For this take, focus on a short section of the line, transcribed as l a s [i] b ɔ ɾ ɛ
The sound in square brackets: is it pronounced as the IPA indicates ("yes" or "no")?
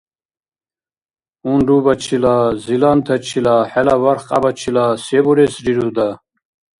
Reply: no